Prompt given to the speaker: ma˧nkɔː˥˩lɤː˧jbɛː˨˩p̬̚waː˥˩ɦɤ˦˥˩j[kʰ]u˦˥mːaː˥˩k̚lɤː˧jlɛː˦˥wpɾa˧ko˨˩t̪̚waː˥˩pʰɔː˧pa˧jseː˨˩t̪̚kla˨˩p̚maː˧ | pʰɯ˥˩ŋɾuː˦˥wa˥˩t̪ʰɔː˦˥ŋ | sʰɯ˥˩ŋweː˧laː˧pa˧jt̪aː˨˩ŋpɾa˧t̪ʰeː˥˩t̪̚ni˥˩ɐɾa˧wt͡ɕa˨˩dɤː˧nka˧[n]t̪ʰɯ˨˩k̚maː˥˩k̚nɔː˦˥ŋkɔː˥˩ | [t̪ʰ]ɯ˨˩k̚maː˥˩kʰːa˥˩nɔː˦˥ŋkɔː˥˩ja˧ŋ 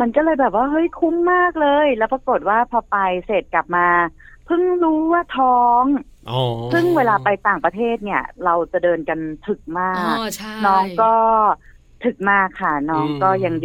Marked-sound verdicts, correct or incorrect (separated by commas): correct, correct, correct